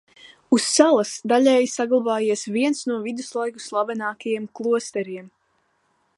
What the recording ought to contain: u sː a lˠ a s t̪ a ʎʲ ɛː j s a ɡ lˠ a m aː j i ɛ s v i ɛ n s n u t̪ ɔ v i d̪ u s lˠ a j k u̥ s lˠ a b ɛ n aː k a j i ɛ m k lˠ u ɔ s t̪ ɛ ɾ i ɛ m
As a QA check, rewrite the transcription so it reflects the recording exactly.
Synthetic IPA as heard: u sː a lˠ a s d̪ a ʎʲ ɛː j s a ɡ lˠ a b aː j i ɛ s v i ɛ n s n u ɔ v i d̪ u s lˠ a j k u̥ s lˠ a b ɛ n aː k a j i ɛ m k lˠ u ɔ s t̪ ɛ ɾ i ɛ m